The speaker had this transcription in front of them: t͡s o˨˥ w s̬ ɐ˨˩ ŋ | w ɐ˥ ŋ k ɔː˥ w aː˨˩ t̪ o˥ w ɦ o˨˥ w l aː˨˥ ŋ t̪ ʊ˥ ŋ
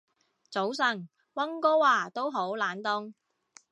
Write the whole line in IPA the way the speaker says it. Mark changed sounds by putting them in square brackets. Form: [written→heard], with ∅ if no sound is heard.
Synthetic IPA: t͡s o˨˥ w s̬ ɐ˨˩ ŋ | w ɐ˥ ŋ k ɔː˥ w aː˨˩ t̪ o˥ w ɦ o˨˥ w l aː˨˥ [ŋ→n] t̪ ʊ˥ ŋ